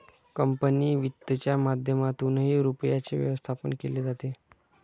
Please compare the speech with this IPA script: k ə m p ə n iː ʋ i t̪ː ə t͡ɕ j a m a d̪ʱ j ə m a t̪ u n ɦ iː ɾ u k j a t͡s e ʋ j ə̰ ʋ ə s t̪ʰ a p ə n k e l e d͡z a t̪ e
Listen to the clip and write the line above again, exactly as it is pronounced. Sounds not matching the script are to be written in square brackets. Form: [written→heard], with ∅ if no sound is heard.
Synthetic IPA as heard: k ə m p ə n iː ʋ i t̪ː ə t͡ɕ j a m a d̪ʱ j ə m a t̪ u n ɦ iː ɾ u [k→p] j a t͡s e ʋ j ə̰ ʋ ə s t̪ʰ a p ə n k e l e d͡z a t̪ e